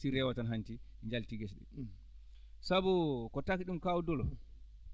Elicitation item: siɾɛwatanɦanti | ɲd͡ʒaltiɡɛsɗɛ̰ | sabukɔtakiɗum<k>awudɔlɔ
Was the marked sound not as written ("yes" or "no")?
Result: no